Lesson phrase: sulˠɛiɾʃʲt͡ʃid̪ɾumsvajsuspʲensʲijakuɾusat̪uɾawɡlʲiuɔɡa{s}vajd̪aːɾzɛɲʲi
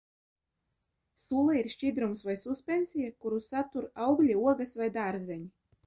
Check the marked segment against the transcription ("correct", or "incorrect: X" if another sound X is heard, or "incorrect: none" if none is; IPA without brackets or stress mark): correct